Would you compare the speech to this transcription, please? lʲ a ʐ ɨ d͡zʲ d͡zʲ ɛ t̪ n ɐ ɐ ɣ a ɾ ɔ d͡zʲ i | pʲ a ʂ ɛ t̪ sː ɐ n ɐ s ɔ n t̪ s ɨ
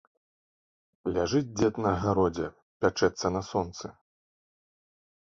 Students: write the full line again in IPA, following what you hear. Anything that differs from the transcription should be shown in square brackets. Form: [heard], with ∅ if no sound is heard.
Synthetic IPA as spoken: lʲ a ʐ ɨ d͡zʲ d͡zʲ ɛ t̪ n ɐ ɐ ɣ a ɾ ɔ d͡zʲ [ɛ] | pʲ a [t͡ʂ] ɛ t̪ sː ɐ n ɐ s ɔ n t̪ s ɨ